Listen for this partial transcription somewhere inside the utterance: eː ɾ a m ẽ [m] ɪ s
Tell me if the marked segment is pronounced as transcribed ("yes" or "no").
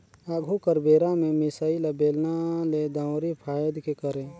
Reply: yes